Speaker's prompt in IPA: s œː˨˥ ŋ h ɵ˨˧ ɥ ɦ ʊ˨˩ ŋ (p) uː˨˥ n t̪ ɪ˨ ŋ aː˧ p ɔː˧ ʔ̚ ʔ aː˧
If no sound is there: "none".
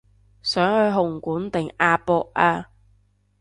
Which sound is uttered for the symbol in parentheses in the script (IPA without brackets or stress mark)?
k